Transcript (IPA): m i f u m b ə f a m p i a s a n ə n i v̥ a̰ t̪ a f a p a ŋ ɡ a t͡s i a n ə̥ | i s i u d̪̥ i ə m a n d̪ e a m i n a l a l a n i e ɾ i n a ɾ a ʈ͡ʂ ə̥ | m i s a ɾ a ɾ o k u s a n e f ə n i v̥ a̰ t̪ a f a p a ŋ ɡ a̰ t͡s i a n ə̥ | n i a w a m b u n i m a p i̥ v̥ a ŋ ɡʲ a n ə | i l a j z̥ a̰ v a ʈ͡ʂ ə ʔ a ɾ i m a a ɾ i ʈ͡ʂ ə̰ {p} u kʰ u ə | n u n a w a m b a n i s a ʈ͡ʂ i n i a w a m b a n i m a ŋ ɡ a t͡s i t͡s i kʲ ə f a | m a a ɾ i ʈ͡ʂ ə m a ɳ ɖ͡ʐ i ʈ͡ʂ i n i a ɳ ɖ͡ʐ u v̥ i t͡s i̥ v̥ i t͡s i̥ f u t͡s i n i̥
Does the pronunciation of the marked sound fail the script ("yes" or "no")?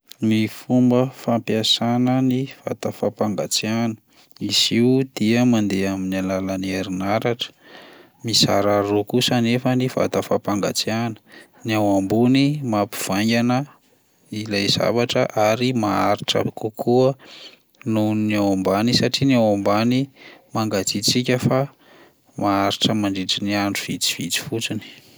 yes